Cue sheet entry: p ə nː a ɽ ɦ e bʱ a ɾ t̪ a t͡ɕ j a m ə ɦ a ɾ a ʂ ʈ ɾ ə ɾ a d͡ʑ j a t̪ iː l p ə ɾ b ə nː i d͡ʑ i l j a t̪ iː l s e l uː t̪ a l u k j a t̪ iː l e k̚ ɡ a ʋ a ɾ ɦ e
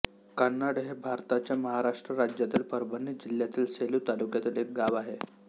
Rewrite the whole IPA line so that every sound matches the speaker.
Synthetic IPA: k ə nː a ɽ ɦ e bʱ a ɾ t̪ a t͡ɕ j a m ə ɦ a ɾ a ʂ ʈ ɾ ə ɾ a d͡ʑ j a t̪ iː l p ə ɾ b ə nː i d͡ʑ i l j a t̪ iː l s e l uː t̪ a l u k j a t̪ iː l e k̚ ɡ a ʋ a ɦ e

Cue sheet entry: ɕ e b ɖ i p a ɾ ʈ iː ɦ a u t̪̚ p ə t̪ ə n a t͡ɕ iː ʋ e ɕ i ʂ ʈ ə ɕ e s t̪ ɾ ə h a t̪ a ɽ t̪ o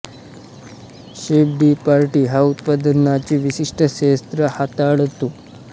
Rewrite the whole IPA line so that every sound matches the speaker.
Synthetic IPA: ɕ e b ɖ i p a ɾ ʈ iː ɦ a u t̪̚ p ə d̪ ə n a t͡ɕ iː ʋ i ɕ i ʂ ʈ ə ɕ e s t̪ ɾ ə h a t̪ a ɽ t̪ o

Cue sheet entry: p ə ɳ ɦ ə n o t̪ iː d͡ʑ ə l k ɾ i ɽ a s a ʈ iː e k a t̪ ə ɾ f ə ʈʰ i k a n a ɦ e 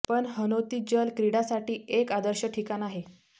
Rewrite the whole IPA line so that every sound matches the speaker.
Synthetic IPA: p ə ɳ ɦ ə n o t̪ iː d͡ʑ ə l k ɾ i ɽ a s a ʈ iː e k a d̪ ə ɾ ɕ ə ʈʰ i k a n a ɦ e

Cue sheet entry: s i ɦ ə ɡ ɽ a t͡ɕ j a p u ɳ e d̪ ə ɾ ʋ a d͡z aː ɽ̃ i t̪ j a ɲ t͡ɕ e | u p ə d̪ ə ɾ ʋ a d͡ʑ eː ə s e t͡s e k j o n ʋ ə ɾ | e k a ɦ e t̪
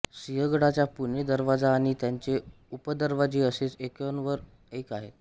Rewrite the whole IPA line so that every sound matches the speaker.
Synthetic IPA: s i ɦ ə ɡ ɽ a t͡ɕ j a p u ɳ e d̪ ə ɾ ʋ a d͡z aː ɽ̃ i t̪ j a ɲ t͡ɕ e | u p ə d̪ ə ɾ ʋ a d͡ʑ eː ə s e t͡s e k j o n ʋ ə ɾ | e k a ɦ e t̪

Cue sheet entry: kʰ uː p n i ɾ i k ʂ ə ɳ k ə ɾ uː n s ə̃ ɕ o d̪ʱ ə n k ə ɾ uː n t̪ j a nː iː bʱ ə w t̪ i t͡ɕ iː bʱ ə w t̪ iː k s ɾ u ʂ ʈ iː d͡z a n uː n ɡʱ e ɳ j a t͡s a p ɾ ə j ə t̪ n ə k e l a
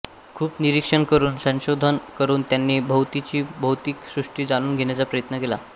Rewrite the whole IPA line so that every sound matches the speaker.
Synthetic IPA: kʰ uː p n i ɾ i k ʂ ə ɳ k ə ɾ uː n s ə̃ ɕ o d̪ʱ ə n k ə ɾ uː n t̪ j a nː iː bʱ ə w t̪ i t͡ɕ iː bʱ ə w t̪ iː k s ɾ u ʂ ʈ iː d͡z a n uː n ɡʱ e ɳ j a t͡s a p ɾ ə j ə t̪ n ə k e l a

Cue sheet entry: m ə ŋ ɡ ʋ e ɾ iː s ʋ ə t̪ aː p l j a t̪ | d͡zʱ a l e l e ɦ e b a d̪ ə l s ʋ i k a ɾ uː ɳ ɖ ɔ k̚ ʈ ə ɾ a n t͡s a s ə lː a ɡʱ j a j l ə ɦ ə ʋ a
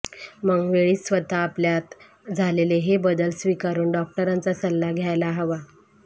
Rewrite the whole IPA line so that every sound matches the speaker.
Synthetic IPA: m ə ŋ ɡ ʋ e ɭ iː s ʋ ə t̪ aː p l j a t̪ | d͡zʱ a l e l e ɦ e b ə d̪ ə l s ʋ i k a ɾ uː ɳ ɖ ɔ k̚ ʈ ə ɾ a n t͡s a s ə lː a ɡʱ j a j l a ɦ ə ʋ a

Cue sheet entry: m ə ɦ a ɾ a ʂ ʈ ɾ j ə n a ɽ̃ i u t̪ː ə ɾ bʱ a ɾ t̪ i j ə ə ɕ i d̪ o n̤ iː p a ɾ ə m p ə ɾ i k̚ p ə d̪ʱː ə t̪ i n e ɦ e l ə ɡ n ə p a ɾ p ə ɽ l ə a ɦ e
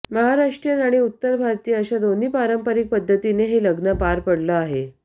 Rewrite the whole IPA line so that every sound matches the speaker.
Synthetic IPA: m ə ɦ a ɾ a ʂ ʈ ɾ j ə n a ɽ̃ i u t̪ː ə ɾ bʱ a ɾ t̪ i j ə ə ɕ a d̪ o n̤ iː p a ɾ ə m p ə ɾ i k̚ p ə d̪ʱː ə t̪ i n e ɦ e l ə ɡ n ə p a ɾ p ə ɽ l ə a ɦ e

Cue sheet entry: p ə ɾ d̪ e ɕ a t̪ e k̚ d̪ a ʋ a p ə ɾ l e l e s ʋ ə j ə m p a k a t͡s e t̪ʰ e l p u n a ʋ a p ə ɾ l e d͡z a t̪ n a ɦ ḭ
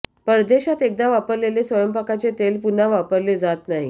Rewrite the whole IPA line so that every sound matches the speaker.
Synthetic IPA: p ə ɾ d̪ e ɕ a t̪ e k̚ d̪ a ʋ a p ə ɾ l e l e s ʋ ə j ə m p a k a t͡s e t̪ e l p u n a ʋ a p ə ɾ l e d͡z a t̪ n a ɦ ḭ

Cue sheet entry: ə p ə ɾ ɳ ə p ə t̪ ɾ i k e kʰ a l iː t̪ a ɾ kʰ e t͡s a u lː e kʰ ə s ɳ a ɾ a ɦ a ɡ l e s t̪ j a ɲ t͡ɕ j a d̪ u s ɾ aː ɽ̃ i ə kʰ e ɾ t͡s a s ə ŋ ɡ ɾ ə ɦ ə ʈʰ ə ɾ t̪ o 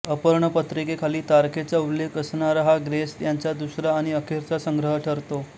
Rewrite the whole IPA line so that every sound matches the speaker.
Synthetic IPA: ə p ə ɾ ɳ ə p ə t̪ ɾ i k e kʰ a l iː t̪ a ɾ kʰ e t͡s a u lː e k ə s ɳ a ɾ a ɦ a ɡ ɾ e s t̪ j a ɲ t͡ɕ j a d̪ u s ɾ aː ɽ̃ i ə kʰ e ɾ t͡s a s ə ŋ ɡ ɾ ə ɦ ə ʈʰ ə ɾ t̪ o

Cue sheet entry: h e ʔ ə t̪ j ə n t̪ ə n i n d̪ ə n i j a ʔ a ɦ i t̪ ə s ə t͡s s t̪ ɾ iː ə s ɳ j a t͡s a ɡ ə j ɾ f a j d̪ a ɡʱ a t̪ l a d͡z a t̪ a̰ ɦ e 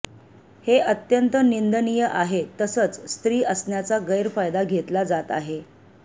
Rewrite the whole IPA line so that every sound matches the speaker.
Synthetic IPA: h e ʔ ə t̪ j ə n t̪ ə n i n d̪ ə n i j ə ʔ a ɦ e t̪ ə s ə t͡s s t̪ ɾ iː ə s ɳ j a t͡s a ɡ ə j ɾ f a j d̪ a ɡʱ e t̪ l a d͡z a t̪ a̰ ɦ e

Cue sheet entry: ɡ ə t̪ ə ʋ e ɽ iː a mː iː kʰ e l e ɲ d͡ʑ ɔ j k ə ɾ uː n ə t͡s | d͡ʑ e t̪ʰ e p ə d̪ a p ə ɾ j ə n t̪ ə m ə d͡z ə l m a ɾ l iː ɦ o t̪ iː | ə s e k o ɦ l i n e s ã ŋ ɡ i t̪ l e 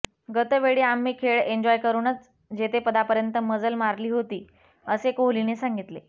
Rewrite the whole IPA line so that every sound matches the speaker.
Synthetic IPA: ɡ ə t̪ ə ʋ e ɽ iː a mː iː kʰ e ɭ e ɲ d͡ʑ ɔ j k ə ɾ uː n ə t͡s | d͡ʑ e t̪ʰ e p ə d̪ a p ə ɾ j ə n t̪ ə m ə d͡z ə l m a ɾ l iː ɦ o t̪ iː | ə s e k o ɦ l i n e s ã ŋ ɡ i t̪ l e

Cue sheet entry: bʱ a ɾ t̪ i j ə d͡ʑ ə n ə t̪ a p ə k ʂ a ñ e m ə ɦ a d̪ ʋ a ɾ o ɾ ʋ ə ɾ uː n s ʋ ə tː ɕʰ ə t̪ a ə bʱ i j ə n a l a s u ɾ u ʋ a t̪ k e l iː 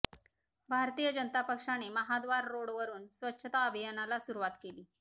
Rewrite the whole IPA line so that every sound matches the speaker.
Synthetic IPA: bʱ a ɾ t̪ i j ə d͡ʑ ə n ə t̪ a p ə k ʂ a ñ e m ə ɦ a d̪ ʋ a ɾː o ɽ ʋ ə ɾ uː n s ʋ ə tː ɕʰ ə t̪ a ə bʱ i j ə n a l a s u ɾ u ʋ a t̪ k e l iː

